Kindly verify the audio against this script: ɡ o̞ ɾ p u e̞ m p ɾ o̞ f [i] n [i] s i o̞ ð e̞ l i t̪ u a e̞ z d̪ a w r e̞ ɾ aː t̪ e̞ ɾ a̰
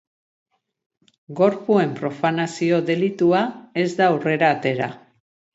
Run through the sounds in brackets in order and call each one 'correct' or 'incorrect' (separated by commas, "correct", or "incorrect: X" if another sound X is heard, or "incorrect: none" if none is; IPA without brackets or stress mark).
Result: incorrect: a, incorrect: a